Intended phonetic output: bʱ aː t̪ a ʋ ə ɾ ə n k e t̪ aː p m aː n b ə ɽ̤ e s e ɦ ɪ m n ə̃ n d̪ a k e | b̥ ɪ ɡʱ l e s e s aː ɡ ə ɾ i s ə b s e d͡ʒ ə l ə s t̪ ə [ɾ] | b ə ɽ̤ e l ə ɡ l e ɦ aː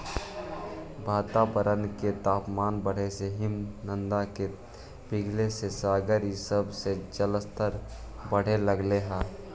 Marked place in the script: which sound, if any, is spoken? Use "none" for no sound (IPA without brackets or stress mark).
ɾ